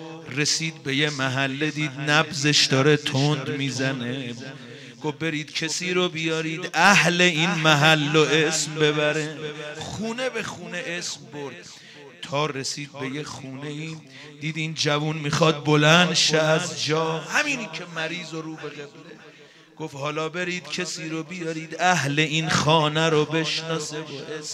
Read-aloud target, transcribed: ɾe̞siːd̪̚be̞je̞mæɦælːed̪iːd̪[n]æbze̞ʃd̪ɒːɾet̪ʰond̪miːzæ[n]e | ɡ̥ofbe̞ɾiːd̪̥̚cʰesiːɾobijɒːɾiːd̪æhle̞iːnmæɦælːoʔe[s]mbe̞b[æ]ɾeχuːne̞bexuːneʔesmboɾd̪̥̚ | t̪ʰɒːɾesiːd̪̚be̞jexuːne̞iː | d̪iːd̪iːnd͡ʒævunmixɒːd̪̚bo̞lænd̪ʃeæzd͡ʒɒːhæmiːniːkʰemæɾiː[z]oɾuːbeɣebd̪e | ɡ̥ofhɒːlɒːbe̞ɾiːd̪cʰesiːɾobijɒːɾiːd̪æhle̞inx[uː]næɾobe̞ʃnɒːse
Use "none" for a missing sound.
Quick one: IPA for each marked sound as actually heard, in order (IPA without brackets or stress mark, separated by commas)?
n, n, s, æ, z, ɒː